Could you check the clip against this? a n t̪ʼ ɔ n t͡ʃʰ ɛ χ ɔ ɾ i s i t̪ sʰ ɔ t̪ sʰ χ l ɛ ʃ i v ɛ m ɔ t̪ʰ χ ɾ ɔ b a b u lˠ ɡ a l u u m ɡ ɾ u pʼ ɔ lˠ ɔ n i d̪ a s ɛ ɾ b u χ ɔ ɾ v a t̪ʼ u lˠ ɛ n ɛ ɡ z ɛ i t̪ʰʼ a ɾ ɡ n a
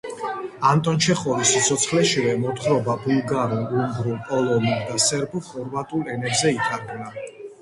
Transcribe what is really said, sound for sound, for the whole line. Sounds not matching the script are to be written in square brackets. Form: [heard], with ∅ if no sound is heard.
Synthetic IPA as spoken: a n t̪ʼ ɔ n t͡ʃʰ ɛ χ ɔ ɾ i s i t̪ sʰ ɔ t̪ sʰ χ l ɛ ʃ i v ɛ m ɔ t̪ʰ χ ɾ ɔ b a b u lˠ ɡ a [ɾ] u u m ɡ ɾ u pʼ ɔ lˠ ɔ n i d̪ a s ɛ ɾ b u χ ɔ ɾ v a t̪ʼ u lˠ ɛ n ɛ [b] z ɛ i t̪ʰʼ a ɾ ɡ n a